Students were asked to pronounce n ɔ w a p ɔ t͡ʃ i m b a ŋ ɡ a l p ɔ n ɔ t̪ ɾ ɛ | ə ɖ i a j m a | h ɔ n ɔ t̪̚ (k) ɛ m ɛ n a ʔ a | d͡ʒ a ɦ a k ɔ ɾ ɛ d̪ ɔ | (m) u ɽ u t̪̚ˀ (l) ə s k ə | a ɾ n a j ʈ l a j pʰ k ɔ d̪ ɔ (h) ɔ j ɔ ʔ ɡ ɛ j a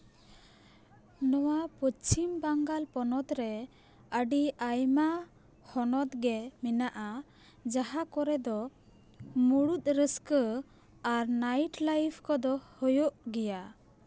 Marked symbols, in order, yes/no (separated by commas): no, yes, no, yes